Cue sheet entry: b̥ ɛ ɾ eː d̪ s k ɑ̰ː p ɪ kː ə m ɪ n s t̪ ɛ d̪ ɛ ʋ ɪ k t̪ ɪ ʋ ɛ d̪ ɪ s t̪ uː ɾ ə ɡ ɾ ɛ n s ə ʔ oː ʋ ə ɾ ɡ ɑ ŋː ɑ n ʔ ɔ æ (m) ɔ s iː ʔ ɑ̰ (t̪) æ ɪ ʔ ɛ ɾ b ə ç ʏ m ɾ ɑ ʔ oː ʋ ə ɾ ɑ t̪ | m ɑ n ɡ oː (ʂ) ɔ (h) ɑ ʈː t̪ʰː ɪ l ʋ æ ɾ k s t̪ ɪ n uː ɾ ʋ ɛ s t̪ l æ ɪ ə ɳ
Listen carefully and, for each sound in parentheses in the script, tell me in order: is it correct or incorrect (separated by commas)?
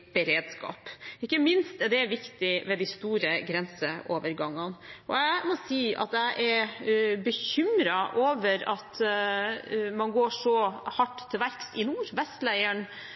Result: correct, correct, correct, correct